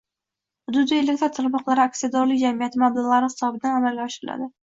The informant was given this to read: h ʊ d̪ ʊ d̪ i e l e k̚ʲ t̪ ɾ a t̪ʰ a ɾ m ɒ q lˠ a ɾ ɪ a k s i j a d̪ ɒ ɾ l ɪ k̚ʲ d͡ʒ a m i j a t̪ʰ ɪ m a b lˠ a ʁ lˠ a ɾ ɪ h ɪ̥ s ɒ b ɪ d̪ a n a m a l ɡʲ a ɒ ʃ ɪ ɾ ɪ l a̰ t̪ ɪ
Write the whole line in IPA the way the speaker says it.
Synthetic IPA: h ʊ d̪ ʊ d̪ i e l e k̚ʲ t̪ ɾ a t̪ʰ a ɾ m ɒ q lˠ a ɾ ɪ a k s i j a d̪ ɒ ɾ l ɪ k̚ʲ d͡ʒ a m i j a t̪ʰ ɪ m a b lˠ a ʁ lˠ a ɾ ɪ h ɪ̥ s ɒ b ɪ d̪ a n a m a l ɡʲ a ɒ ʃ ɪ ɾ ɪ l a̰ d̪ ɪ